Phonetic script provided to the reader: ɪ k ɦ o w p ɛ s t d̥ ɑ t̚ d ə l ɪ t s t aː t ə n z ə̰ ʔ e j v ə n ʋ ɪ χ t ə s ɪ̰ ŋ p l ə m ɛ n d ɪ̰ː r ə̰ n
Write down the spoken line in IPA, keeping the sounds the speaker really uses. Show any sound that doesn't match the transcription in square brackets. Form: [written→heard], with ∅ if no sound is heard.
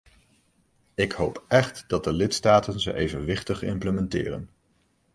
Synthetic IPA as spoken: ɪ k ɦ o w p ɛ [s→χ] t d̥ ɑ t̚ d ə l ɪ t s t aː t ə n z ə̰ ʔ e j v ə n ʋ ɪ χ t ə [s→χ] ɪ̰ [ŋ→m] p l ə m ɛ n [d→t] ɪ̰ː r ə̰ n

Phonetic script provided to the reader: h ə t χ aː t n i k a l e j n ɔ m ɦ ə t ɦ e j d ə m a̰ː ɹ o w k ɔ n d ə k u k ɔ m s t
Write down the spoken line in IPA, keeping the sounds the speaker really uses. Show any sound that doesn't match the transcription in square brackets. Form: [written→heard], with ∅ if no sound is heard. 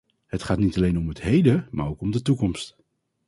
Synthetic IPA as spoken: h ə t χ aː t n i [k→t] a l e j n ɔ m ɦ ə t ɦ e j d ə m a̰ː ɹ o w k ɔ [n→m] d ə [k→t] u k ɔ m s t

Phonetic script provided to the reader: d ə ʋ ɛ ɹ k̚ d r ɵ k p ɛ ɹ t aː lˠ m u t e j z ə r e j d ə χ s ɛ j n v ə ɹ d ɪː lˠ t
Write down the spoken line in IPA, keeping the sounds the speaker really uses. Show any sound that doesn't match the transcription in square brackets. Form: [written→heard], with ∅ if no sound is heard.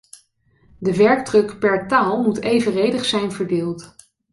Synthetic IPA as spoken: d ə ʋ ɛ ɹ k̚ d r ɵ k p ɛ ɹ t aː lˠ m u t e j [z→v] ə r e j d ə χ s ɛ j n v ə ɹ d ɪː lˠ t

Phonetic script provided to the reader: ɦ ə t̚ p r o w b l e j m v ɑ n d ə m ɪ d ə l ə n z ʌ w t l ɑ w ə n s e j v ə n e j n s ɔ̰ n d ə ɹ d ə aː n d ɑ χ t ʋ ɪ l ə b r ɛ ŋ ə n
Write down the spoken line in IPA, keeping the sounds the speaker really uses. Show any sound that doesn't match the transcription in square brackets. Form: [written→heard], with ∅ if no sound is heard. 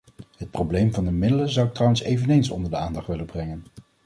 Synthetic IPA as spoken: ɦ ə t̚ p r o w b l e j m v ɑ n d ə m ɪ d ə l ə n z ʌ w t [l→r] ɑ w ə n s e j v ə n e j n s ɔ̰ n d ə ɹ d ə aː n d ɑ χ t ʋ ɪ l ə b r ɛ ŋ ə n

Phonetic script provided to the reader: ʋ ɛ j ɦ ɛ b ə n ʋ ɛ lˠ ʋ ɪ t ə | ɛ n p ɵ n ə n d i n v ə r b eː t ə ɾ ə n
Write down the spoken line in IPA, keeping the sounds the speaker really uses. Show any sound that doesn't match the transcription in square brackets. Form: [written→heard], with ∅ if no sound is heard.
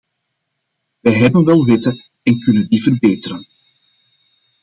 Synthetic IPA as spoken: ʋ ɛ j ɦ ɛ b ə n ʋ ɛ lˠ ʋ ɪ t ə | ɛ n [p→k] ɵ n ə n d i [n→∅] v ə r b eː t ə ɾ ə n

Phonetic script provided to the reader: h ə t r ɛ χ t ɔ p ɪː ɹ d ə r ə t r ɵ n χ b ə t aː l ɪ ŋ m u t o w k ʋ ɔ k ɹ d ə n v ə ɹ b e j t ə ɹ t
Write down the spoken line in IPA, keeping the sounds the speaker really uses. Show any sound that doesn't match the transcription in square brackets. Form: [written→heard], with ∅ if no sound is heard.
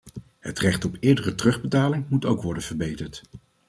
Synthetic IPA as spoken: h ə t r ɛ χ t ɔ p ɪː ɹ d ə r ə t r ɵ [n→∅] χ b ə t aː l ɪ ŋ m u t o w k ʋ ɔ [k→∅] ɹ d ə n v ə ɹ b e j t ə ɹ t

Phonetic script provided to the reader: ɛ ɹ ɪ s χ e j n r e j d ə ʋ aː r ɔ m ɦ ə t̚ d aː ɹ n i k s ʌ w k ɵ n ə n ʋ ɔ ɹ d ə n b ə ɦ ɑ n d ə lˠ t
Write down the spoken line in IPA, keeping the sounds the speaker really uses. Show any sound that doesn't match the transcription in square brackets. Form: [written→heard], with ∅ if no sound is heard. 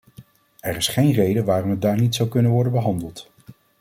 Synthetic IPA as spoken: ɛ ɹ ɪ s χ e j n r e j d ə ʋ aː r ɔ m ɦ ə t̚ d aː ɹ n i [k→t] s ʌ w k ɵ n ə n ʋ ɔ ɹ d ə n b ə ɦ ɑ n d ə lˠ t

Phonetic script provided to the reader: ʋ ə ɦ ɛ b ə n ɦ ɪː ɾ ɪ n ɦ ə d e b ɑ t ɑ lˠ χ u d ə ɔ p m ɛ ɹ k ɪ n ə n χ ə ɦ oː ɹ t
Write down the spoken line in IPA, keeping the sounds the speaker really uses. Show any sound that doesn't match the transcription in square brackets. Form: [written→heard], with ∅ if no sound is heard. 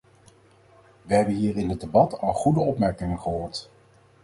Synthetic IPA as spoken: ʋ ə ɦ ɛ b ə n ɦ [ɪː→iː] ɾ ɪ n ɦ ə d e b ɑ t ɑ lˠ χ u d ə ɔ p m ɛ ɹ k ɪ [n→ŋ] ə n χ ə ɦ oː ɹ t

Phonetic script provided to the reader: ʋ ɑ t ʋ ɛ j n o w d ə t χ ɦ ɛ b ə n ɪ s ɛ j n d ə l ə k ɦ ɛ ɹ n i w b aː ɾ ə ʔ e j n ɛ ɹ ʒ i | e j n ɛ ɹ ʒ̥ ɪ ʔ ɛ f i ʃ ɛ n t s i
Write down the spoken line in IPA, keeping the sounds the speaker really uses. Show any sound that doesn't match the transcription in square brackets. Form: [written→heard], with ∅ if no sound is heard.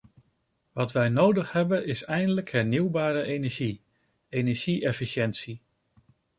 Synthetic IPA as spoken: ʋ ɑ t ʋ ɛ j n o w d ə [t→∅] χ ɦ ɛ b ə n ɪ s ɛ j n d ə l ə k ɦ ɛ ɹ n i w b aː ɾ ə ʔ e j n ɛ ɹ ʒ i | e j n ɛ ɹ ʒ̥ [ɪ→i] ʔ ɛ f i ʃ ɛ n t s i

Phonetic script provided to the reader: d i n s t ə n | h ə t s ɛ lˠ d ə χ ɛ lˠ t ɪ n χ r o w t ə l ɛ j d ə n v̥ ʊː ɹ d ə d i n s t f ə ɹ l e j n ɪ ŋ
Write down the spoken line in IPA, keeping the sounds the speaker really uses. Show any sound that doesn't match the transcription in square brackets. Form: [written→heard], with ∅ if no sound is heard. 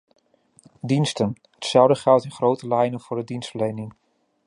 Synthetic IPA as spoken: d i n s t ə n | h ə t s ɛ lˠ d ə χ ɛ lˠ t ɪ n χ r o w t ə l ɛ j [d→n] ə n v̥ ʊː ɹ d ə d i n s t f ə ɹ l e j n ɪ ŋ

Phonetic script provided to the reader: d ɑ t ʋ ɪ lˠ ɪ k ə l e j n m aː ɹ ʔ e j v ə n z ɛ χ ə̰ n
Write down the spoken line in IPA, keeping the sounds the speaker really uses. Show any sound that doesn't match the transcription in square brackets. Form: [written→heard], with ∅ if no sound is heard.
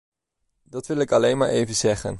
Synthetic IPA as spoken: d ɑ t ʋ ɪ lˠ ɪ k [ə→ɑ] l e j n m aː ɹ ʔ e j v ə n z ɛ χ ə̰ n

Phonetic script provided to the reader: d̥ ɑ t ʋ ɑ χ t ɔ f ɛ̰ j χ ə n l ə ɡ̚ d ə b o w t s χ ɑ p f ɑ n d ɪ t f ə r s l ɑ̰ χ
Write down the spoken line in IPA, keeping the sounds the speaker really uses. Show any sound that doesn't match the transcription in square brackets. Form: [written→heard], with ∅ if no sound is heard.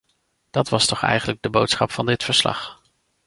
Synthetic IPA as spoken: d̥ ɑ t ʋ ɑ [χ→s] t ɔ [f→χ] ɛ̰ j χ ə n l ə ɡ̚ d ə b o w t s χ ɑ p f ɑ n d ɪ t f ə [r→ɹ] s l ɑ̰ χ

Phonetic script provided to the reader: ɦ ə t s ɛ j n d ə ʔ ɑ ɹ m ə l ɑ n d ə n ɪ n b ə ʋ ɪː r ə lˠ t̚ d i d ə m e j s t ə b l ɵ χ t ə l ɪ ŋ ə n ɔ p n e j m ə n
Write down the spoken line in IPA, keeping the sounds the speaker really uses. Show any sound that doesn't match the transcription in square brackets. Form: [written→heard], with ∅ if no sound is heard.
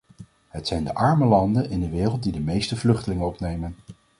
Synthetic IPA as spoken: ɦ ə t s ɛ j n d ə ʔ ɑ ɹ m ə l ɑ n d ə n ɪ n [b→d] ə ʋ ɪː r ə lˠ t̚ d i d ə m e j s t ə [b→v] l ɵ χ t ə l ɪ ŋ ə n ɔ p n e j m ə n

